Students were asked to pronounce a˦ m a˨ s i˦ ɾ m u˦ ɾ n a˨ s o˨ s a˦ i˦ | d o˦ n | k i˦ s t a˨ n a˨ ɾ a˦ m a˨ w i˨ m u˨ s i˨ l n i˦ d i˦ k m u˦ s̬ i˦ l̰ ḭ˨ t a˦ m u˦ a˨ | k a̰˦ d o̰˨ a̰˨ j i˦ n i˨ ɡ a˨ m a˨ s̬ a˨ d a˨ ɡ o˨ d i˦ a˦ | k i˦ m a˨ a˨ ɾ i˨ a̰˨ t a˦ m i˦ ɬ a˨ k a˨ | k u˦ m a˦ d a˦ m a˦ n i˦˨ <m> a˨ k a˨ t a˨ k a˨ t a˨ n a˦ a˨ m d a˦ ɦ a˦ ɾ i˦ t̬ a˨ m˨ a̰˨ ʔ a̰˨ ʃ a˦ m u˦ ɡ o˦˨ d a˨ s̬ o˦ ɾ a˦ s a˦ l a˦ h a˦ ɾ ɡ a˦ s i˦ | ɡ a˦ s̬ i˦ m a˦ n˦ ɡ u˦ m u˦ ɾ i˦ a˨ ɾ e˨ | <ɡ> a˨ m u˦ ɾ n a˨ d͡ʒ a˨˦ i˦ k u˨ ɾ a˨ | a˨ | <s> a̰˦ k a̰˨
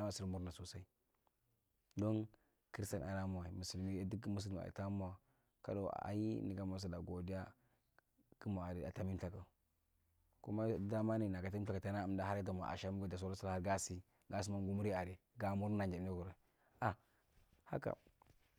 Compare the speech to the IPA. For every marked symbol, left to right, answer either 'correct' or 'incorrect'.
incorrect: n, correct, incorrect: h

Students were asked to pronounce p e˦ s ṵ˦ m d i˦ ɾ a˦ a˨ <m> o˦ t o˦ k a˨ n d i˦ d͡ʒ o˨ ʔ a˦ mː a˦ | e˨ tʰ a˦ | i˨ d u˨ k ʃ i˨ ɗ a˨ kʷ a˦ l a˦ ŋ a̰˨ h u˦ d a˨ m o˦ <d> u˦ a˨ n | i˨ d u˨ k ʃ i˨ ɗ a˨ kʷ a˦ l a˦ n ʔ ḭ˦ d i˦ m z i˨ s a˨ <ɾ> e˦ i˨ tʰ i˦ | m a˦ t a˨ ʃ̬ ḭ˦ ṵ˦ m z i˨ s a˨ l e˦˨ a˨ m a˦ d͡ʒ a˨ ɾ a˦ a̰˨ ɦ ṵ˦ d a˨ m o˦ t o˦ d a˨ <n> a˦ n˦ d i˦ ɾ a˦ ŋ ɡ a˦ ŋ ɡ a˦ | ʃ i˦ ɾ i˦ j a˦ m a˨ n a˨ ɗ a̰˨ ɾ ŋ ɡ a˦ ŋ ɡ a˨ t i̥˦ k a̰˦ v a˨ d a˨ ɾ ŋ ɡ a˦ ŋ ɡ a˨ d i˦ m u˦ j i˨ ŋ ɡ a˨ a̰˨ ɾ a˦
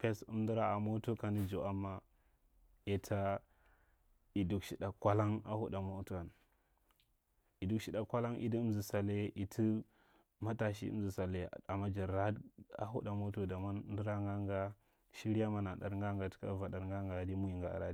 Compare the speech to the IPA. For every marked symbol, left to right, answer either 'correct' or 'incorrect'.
correct, incorrect: t, incorrect: l, incorrect: m

